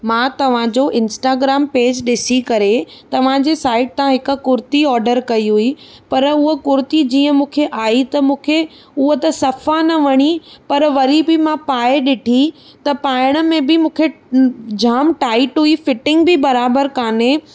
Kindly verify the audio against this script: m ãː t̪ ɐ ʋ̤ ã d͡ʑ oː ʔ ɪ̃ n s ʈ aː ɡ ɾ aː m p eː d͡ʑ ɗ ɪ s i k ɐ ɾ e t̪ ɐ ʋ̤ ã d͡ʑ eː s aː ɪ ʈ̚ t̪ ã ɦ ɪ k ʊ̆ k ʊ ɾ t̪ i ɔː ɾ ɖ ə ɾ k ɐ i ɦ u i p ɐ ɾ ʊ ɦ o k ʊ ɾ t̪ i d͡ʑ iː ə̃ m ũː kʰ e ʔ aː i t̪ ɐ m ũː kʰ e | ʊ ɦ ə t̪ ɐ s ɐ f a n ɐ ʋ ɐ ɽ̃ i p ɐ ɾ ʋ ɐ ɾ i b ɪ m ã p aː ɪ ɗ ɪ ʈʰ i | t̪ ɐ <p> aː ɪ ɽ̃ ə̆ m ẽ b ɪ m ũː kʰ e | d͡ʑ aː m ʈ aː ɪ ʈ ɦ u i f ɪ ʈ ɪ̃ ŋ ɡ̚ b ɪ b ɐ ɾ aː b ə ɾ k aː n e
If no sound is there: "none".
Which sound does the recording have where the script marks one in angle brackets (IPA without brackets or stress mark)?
p